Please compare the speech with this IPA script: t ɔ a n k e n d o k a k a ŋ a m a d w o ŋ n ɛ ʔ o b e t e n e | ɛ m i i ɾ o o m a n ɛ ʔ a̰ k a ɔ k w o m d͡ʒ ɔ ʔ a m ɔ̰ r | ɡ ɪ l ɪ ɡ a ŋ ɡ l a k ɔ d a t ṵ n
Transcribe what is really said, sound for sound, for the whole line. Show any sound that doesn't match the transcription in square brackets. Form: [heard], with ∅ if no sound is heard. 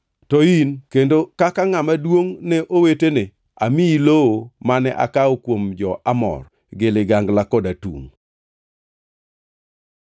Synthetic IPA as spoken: t ɔ [i] n k e n d o k a k a ŋ a m a d w o ŋ n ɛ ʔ o [w] e t e n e | [a] m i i [l] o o m a n ɛ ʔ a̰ k a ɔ k w o m d͡ʒ ɔ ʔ a m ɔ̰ r | ɡ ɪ l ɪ ɡ a ŋ ɡ l a k ɔ d a t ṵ [ŋ]